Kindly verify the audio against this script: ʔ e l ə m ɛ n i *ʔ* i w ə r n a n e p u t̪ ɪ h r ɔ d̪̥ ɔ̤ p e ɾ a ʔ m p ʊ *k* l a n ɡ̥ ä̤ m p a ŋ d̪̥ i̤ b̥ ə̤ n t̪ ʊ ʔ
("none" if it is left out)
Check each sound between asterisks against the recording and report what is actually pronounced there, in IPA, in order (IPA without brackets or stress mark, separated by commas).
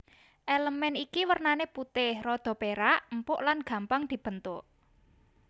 k, ʔ